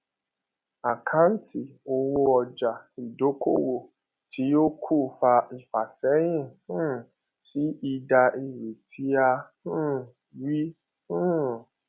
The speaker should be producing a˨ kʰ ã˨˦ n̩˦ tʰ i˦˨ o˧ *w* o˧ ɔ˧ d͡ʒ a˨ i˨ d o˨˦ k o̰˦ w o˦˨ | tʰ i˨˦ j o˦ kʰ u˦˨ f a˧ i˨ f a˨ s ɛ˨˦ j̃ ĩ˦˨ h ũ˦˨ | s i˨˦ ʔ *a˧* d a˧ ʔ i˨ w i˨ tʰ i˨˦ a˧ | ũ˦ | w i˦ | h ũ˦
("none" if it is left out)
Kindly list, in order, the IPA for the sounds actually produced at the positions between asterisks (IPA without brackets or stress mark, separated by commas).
w, i˧